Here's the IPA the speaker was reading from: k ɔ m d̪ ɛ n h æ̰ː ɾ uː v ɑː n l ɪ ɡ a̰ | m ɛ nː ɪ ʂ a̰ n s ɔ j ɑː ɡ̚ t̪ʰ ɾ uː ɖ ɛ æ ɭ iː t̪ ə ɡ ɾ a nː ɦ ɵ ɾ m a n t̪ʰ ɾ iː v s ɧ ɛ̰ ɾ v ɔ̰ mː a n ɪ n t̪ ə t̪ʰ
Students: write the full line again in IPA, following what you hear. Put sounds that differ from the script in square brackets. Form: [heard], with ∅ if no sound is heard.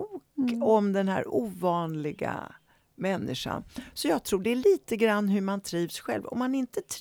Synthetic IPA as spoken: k ɔ m d̪ ɛ n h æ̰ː ɾ uː v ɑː n l ɪ ɡ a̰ | m ɛ nː ɪ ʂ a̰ n s ɔ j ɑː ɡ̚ t̪ʰ ɾ uː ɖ ɛ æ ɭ iː t̪ ə ɡ ɾ a nː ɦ ɵ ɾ m a n t̪ʰ ɾ iː v s ɧ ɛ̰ [l] v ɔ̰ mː a n ɪ n t̪ ə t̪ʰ